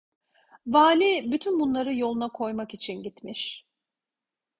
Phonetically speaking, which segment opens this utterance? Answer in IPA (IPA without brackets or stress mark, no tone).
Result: v